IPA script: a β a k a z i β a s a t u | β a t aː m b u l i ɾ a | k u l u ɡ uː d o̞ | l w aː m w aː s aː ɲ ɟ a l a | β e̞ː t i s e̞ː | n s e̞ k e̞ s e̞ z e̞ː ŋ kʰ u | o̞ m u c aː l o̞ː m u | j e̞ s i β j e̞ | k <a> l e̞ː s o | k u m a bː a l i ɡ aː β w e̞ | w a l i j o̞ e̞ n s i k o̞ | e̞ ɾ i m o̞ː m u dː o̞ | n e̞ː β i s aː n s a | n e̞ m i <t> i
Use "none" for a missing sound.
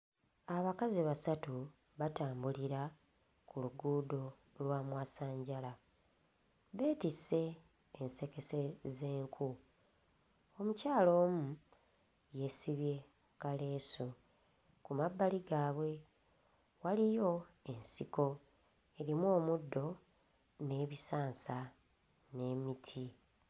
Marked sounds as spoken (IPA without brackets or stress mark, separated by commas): a, tʰ